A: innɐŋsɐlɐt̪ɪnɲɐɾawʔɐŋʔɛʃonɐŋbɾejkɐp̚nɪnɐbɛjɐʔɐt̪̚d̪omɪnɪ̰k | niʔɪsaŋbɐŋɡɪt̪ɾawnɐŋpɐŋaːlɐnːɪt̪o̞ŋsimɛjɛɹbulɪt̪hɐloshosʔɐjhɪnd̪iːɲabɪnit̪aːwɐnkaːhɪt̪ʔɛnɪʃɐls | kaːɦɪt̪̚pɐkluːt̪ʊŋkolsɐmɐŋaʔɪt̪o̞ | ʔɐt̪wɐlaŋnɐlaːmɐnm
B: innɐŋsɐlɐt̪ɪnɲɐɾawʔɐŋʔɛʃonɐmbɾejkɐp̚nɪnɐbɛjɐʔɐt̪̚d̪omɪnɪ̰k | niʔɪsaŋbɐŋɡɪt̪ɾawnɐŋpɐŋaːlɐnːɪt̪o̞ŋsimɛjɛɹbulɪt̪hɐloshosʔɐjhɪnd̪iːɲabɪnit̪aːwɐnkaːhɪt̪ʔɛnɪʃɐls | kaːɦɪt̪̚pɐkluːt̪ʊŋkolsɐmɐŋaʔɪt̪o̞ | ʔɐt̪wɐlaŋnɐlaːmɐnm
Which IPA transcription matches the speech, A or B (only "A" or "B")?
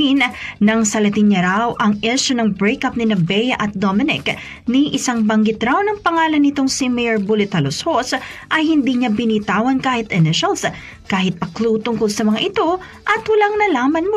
A